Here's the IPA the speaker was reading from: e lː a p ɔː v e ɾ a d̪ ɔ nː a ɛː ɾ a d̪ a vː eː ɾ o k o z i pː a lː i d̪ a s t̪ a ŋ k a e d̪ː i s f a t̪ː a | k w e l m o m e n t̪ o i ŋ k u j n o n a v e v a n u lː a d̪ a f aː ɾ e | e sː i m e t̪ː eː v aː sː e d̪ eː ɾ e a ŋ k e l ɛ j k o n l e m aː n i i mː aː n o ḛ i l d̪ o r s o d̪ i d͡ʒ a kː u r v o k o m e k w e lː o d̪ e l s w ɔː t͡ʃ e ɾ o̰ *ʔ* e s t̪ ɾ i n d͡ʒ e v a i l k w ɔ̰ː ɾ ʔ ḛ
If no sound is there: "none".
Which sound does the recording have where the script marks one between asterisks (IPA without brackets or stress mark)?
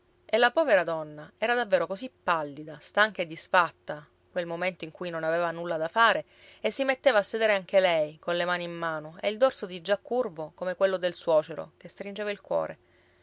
k